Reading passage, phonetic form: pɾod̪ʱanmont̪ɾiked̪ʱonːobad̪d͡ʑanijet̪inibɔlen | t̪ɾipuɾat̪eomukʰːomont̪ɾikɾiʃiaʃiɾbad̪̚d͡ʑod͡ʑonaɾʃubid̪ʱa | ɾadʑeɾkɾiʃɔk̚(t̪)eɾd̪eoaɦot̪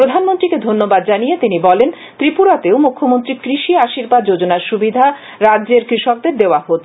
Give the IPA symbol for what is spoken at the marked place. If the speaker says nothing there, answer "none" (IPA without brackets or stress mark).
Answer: d̪